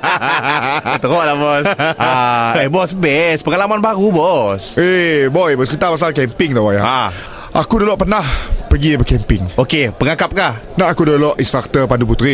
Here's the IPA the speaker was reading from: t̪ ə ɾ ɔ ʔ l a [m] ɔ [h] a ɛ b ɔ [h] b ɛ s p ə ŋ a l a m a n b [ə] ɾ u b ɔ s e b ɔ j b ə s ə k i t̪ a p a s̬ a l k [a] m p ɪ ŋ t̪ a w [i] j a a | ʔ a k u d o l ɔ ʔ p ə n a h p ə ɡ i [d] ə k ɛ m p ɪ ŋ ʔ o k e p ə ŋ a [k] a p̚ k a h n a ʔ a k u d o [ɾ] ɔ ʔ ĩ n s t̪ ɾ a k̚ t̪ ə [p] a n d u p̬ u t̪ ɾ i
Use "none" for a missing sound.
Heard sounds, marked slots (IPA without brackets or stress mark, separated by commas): b, s, s, a, ɛ, a, b, k, l, p